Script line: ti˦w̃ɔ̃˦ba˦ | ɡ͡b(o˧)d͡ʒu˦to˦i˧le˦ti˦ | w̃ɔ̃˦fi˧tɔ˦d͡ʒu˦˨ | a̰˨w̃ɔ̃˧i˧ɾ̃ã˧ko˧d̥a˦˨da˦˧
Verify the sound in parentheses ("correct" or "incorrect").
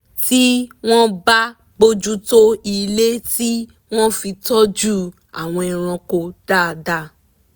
correct